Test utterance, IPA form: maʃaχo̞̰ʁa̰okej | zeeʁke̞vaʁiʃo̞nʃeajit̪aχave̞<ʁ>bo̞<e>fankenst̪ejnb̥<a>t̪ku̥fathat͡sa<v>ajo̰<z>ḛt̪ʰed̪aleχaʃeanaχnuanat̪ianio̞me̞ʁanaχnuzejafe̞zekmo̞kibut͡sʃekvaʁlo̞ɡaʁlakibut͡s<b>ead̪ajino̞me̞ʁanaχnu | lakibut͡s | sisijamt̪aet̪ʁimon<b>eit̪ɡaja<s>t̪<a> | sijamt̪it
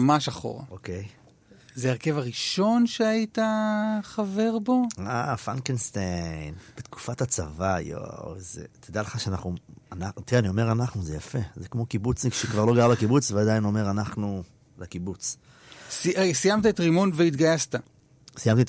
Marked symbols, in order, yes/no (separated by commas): yes, no, no, yes, yes, no, no, yes, yes